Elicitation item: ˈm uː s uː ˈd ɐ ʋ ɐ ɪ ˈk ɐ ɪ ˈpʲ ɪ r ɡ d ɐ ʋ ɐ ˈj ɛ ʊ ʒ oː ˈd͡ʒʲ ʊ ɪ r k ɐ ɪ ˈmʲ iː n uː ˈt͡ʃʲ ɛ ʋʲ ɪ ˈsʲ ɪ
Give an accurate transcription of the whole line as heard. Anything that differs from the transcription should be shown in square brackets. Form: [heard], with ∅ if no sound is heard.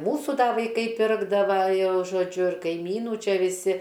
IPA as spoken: ˈm uː s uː ˈd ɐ ʋ ɐ ɪ ˈk ɐ ɪ ˈpʲ ɪ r ɡ d ɐ ʋ ɐ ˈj ɛ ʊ ʒ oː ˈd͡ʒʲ ʊ ɪ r k ɐ ɪ ˈmʲ iː n uː ˈt͡ʃʲ ɛ ʋʲ ɪ ˈsʲ ɪ